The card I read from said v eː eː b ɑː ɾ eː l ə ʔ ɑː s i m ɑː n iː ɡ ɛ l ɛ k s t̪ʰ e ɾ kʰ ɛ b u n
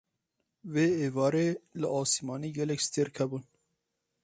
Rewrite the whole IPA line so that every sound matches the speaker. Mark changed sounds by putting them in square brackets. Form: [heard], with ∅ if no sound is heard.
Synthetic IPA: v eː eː [v] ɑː ɾ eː l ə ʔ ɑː s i m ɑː n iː ɡ ɛ l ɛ k s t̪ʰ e ɾ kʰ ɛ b u n